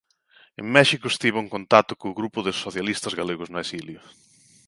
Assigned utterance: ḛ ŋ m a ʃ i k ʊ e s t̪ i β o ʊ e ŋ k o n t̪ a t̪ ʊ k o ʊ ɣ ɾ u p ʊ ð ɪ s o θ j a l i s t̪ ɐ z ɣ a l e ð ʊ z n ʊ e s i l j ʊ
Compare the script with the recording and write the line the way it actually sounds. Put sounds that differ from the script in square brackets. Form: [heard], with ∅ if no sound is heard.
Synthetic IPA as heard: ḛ ŋ m [ɛ] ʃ i k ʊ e s t̪ i β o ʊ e ŋ k o n t̪ a t̪ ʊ k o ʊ ɣ ɾ u p ʊ ð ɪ s o θ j a l i s t̪ ɐ z ɣ a l e [ɣ] ʊ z n ʊ e s i l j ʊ